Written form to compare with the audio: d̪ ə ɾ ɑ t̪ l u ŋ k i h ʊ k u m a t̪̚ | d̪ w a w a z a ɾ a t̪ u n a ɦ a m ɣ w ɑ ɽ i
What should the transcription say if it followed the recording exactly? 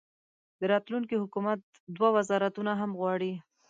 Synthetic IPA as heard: d̪ ə ɾ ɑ t̪ l u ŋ k i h ʊ k u m a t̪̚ | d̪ w a w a z ɑ ɾ a t̪ u n a ɦ a m ɣ w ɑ ɽ i